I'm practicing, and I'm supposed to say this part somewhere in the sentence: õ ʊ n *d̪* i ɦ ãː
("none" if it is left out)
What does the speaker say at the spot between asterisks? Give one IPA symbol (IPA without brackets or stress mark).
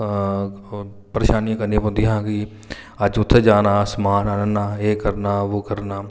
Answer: d̪